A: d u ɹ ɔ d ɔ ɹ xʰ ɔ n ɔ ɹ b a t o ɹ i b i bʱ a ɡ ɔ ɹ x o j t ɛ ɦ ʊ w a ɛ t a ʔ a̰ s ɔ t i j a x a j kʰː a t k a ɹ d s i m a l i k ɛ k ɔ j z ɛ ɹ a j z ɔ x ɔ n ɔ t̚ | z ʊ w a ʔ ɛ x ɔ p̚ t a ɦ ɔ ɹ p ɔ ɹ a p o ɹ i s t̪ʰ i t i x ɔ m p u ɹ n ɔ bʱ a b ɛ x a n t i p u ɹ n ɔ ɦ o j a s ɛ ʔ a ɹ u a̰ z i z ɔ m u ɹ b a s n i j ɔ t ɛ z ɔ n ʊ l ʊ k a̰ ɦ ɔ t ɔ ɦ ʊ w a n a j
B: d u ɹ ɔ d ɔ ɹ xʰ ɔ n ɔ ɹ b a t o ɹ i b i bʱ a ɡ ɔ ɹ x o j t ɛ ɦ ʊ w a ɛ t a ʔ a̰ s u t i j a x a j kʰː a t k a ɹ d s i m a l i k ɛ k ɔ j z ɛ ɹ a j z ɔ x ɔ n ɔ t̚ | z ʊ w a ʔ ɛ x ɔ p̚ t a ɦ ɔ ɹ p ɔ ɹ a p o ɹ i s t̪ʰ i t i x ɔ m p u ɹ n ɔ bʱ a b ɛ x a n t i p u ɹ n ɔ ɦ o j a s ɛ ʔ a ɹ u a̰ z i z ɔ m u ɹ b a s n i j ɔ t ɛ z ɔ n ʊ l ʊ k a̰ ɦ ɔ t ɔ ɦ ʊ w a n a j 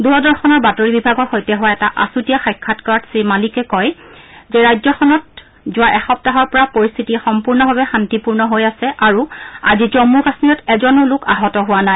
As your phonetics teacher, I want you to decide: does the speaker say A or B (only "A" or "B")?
B